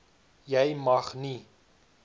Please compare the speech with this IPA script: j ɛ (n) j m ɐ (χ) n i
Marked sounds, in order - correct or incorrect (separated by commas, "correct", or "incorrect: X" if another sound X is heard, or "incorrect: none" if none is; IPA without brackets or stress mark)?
incorrect: none, correct